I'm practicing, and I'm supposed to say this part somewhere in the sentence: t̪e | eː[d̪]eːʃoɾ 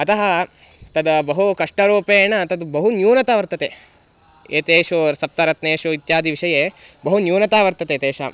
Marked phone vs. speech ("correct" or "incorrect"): incorrect